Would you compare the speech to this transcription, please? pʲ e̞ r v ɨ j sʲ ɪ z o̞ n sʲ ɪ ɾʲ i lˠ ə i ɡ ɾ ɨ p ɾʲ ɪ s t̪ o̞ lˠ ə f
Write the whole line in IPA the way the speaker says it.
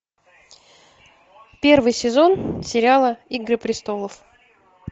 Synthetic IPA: pʲ e̞ r v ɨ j sʲ ɪ z o̞ n sʲ ɪ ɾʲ a lˠ ə i ɡ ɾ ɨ p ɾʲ ɪ s t̪ o̞ lˠ ə f